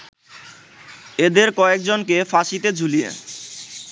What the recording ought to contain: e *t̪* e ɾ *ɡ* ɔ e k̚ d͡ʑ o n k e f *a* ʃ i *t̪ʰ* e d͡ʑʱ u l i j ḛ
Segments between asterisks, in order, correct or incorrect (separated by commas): incorrect, incorrect, correct, incorrect